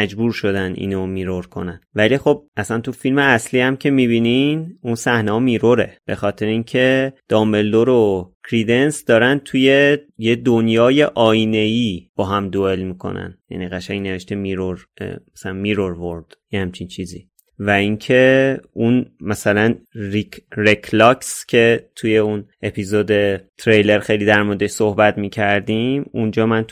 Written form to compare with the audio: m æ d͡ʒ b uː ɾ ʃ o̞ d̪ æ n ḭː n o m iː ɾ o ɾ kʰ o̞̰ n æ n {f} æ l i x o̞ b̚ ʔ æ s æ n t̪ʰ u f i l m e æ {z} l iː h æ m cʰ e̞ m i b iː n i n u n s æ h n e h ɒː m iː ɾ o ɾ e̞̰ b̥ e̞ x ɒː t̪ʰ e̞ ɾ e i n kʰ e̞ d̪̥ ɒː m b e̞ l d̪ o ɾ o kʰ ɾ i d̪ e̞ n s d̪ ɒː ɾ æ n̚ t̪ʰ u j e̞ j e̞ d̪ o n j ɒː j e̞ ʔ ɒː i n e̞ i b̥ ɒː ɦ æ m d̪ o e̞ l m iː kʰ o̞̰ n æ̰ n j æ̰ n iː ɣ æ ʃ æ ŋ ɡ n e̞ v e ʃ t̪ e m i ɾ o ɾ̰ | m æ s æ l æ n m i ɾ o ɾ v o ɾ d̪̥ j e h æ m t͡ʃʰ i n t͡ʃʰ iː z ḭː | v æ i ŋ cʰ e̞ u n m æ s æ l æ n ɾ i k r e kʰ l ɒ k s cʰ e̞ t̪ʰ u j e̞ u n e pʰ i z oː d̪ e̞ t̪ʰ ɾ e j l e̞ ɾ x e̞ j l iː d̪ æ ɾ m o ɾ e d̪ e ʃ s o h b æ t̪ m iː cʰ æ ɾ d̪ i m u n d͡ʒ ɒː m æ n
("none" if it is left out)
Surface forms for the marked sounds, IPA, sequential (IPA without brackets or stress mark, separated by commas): v, s